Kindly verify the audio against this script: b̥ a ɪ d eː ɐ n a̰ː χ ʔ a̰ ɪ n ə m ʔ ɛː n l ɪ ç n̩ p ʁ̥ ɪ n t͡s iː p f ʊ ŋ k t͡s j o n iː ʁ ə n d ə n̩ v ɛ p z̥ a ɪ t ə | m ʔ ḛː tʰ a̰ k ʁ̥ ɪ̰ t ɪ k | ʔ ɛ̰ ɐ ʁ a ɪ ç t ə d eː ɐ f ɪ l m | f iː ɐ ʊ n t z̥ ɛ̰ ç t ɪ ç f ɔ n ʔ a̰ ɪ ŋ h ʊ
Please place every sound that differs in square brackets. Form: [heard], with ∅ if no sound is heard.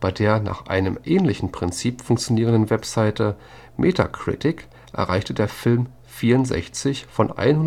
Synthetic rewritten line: b̥ a ɪ d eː ɐ n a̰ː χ ʔ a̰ ɪ n ə m ʔ ɛː n l ɪ ç n̩ p ʁ̥ ɪ n t͡s iː p f ʊ ŋ k t͡s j o n iː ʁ ə n d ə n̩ v ɛ p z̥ a ɪ t ə | m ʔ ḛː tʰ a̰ k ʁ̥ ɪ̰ t ɪ k | ʔ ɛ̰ ɐ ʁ a ɪ ç t ə d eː ɐ f ɪ l m | f iː ɐ ʊ n t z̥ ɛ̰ ç [t͡s] ɪ ç f ɔ n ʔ a̰ ɪ [n] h ʊ